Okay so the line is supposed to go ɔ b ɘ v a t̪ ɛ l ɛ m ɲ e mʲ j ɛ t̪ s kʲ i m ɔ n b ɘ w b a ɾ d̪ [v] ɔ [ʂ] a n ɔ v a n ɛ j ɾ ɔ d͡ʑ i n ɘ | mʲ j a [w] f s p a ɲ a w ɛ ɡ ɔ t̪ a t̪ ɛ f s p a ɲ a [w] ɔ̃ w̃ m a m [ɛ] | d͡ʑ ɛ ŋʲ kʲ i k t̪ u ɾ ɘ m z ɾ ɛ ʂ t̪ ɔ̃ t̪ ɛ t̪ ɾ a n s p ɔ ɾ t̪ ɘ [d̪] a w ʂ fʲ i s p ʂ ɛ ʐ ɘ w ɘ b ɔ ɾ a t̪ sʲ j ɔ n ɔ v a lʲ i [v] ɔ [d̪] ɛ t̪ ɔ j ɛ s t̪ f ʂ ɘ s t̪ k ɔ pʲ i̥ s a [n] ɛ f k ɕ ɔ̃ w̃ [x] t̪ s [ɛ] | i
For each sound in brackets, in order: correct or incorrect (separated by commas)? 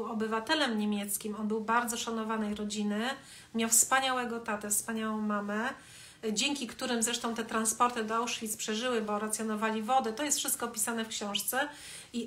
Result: incorrect, correct, correct, correct, correct, correct, correct, correct, correct, incorrect, correct